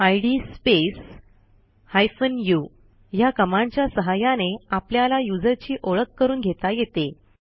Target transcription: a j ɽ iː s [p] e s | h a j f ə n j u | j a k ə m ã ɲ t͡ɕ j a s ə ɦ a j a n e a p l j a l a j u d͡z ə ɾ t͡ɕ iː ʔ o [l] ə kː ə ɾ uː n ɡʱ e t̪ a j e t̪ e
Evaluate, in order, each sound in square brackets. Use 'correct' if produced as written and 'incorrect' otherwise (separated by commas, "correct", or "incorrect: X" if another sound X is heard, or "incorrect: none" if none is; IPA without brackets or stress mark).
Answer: correct, incorrect: ɭ